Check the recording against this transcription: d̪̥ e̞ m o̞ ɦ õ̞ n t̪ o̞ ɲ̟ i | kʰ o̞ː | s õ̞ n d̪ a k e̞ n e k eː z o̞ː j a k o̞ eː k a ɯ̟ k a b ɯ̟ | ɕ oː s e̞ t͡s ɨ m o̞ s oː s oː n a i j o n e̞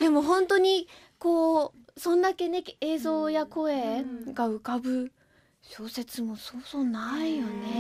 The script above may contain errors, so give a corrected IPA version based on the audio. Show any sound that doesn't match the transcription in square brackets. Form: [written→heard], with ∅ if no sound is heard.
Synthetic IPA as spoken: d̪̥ e̞ m o̞ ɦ õ̞ n t̪ o̞ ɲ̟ i | [kʰ→k] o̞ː | s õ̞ n d̪ a k e̞ n e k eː z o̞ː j a k o̞ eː [k→ɡ] a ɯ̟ k a b ɯ̟ | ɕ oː s e̞ t͡s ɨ m o̞ s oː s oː n a i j o n e̞